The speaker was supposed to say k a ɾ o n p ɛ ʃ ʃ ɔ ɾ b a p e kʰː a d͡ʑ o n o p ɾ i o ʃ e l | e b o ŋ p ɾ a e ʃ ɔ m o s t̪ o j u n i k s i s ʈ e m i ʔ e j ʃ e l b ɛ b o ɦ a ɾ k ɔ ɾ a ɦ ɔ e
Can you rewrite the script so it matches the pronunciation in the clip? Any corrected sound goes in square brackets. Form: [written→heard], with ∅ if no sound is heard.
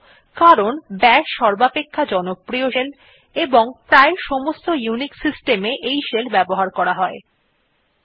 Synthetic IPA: k a ɾ o n [p→b] ɛ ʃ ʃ ɔ ɾ b a p e kʰː a d͡ʑ [o→ɔ] n o p ɾ i o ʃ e l | e b o ŋ p ɾ a e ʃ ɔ m o s t̪ o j u n i k s i s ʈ e m [i→e] ʔ e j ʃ e l b ɛ b o ɦ a ɾ k ɔ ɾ a ɦ ɔ e

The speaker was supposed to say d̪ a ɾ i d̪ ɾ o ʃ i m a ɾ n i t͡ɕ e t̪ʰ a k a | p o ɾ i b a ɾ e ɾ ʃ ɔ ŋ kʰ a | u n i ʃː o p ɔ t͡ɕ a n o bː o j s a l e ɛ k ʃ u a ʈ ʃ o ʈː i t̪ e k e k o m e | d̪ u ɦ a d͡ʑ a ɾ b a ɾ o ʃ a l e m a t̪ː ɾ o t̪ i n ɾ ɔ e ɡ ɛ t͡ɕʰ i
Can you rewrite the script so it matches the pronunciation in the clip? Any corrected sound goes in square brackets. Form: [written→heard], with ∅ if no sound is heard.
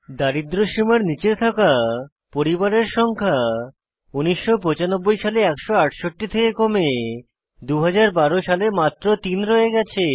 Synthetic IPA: d̪ a ɾ i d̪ ɾ o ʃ i m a ɾ n i t͡ɕ e t̪ʰ a k a | p o ɾ i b a ɾ e ɾ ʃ ɔ ŋ kʰ a | u n i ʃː o p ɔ t͡ɕ a n o bː o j [s→ʃ] a l e ɛ k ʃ [u→o] a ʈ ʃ o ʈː i [t̪→t̪ʰ] e k e k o m e | d̪ u ɦ a d͡ʑ a ɾ b a ɾ o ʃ a l e m a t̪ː ɾ o t̪ i n ɾ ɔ e ɡ ɛ t͡ɕʰ [i→e]

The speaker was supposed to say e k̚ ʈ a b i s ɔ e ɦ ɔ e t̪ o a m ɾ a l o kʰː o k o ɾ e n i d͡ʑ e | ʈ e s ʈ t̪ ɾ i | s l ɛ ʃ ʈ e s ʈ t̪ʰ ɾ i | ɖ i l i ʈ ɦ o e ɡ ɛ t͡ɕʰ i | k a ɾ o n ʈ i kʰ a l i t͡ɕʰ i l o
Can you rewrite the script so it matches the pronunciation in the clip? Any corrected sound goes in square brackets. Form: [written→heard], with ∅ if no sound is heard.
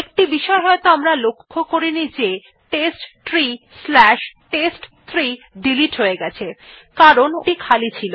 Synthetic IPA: e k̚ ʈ [a→i] b i [s→ʃ] ɔ e ɦ ɔ e t̪ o a m ɾ a l o kʰː o k o ɾ [e→i] n i d͡ʑ e | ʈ e s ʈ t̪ ɾ i | s l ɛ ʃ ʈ e s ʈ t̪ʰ ɾ i | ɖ i l i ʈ ɦ o e ɡ ɛ t͡ɕʰ [i→e] | k a ɾ o n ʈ i kʰ a l i t͡ɕʰ i l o

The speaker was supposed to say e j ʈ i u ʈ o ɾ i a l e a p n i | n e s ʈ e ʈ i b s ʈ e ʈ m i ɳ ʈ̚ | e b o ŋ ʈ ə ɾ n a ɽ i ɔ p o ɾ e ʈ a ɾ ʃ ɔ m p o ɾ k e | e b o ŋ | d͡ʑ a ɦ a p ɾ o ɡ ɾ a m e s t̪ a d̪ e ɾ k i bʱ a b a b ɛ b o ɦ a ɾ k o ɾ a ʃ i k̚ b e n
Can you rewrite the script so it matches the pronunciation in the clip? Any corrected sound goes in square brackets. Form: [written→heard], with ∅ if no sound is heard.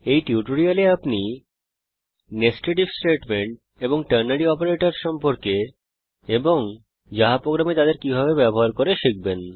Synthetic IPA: e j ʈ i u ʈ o ɾ i a l e a p n i | n e s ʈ e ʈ i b s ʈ e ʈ m [i→e] ɳ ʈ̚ | e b o ŋ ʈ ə ɾ n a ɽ i ɔ p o ɾ e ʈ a ɾ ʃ ɔ m p o ɾ k e | e b o ŋ | d͡ʑ a ɦ a p ɾ o ɡ ɾ a m e [s→∅] t̪ a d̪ e ɾ k i bʱ a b [a→e] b ɛ b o ɦ a ɾ k o ɾ [a→e] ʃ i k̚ b e n

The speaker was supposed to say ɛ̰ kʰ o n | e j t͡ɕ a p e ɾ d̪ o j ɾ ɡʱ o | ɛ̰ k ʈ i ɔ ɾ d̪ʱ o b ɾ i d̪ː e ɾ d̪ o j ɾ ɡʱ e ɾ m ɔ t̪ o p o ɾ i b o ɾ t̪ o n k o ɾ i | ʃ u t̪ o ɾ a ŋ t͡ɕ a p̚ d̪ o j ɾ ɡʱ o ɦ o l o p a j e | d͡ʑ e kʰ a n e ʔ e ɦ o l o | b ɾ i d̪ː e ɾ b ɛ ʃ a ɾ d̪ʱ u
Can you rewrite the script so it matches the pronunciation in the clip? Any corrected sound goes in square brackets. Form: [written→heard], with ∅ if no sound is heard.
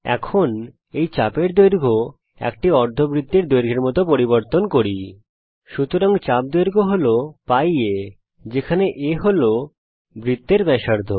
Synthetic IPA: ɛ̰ kʰ o n | e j t͡ɕ a p e ɾ d̪ o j ɾ ɡʱ o | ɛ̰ k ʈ i ɔ ɾ d̪ʱ o b ɾ i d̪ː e ɾ d̪ o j ɾ ɡʱ e ɾ m ɔ t̪ o p o ɾ i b o ɾ t̪ o n k o ɾ i | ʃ u t̪ o ɾ a ŋ t͡ɕ a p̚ d̪ o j ɾ ɡʱ o ɦ o l o p a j e | d͡ʑ e kʰ a n e ʔ e ɦ o l o | b ɾ i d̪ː e ɾ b ɛ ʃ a ɾ d̪ʱ [u→o]

